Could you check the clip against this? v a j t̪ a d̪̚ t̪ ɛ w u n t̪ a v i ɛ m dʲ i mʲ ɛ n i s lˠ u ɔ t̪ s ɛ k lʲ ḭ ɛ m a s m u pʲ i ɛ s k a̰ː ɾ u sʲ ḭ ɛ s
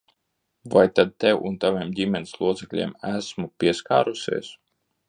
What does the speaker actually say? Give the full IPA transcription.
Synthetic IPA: v a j t̪ a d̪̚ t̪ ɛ w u n t̪ a v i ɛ m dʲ i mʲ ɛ n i s lˠ u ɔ t̪ s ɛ k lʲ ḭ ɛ m æ s m u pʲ i ɛ s k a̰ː ɾ u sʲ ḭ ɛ s